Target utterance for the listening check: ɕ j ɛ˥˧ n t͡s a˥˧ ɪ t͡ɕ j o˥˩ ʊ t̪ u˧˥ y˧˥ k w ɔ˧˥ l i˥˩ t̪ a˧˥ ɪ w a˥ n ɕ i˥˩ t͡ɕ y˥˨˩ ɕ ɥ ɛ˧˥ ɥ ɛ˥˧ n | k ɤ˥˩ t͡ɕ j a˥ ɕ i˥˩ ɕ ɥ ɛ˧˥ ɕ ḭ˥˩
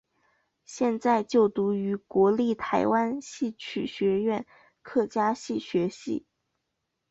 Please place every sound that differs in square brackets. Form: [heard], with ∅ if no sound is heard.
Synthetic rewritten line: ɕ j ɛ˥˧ n t͡s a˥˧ ɪ t͡ɕ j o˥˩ ʊ t̪ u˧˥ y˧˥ k w ɔ˧˥ l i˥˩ [t̪ʰ] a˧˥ ɪ w a˥ n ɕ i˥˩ [t͡ɕʰ] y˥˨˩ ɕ ɥ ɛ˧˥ ɥ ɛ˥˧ n | [kʰ] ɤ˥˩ t͡ɕ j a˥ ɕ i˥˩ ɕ ɥ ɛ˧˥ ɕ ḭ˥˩